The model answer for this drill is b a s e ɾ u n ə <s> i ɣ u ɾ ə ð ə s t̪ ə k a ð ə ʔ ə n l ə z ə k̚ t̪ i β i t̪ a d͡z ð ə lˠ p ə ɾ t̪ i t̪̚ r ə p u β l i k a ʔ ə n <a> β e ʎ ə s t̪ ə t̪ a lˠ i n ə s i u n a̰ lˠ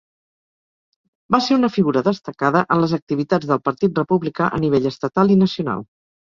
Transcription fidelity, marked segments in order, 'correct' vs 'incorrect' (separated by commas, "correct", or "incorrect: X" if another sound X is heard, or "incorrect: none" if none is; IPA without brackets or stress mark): incorrect: f, incorrect: i